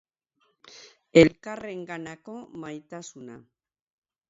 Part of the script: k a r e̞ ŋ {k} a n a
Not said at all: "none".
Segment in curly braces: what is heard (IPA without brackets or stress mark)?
ɡ